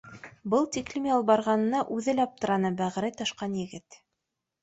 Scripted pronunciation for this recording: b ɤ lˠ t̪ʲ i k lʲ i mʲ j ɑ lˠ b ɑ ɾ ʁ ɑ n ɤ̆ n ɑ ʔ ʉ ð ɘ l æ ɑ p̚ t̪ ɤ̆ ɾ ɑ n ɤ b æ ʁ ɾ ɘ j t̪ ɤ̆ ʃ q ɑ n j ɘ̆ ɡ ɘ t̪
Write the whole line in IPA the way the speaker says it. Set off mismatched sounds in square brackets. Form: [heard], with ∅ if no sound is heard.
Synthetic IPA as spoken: b ɤ lˠ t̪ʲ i k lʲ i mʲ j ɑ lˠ b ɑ ɾ ʁ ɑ n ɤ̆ n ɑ ʔ ʉ ð ɘ l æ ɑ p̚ t̪ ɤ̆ ɾ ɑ n ɤ b æ ʁ ɾ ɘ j t̪ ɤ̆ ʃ q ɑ n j ɘ̆ ɡ ɘ t̪